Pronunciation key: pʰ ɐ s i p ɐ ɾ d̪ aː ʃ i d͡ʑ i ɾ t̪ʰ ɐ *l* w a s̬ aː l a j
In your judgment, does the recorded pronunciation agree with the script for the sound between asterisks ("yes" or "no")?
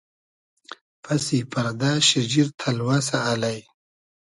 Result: yes